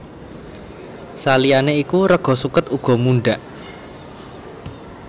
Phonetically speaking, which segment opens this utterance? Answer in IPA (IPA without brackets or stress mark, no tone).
s